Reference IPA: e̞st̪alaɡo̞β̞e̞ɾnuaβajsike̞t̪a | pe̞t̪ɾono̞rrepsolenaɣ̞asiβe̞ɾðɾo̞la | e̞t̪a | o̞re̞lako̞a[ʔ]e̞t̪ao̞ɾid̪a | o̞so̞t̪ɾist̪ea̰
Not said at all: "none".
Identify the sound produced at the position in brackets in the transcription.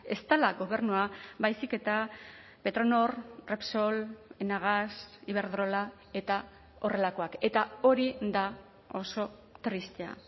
k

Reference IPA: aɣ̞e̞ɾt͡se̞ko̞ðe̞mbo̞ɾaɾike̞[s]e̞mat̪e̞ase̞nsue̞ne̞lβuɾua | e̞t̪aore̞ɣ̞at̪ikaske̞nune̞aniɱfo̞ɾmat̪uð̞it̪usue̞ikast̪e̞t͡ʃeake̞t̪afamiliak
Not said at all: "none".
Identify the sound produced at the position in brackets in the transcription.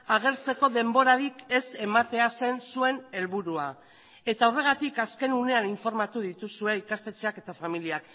s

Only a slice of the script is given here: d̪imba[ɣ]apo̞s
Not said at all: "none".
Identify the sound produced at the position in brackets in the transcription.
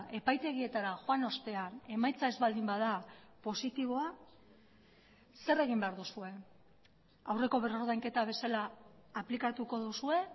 ð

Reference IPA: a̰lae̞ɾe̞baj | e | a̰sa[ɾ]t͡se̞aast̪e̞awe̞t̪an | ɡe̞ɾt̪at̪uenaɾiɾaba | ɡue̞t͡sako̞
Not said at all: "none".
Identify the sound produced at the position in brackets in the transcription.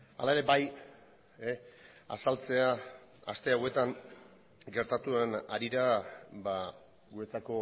l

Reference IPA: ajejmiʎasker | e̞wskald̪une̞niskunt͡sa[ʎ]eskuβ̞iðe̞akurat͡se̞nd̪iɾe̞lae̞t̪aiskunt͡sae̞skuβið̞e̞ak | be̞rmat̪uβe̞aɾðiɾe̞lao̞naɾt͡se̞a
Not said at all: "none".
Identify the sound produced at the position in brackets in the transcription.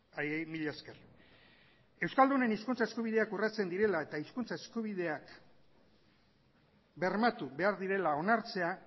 none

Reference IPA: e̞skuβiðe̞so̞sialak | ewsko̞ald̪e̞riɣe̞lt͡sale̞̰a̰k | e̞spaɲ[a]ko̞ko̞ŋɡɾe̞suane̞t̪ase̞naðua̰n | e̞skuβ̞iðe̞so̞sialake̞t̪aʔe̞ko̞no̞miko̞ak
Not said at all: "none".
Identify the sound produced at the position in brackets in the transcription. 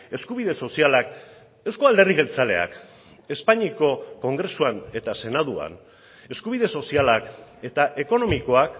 i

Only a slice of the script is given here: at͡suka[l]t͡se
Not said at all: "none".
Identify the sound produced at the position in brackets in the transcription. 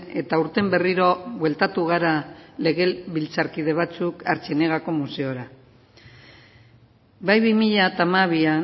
ɾ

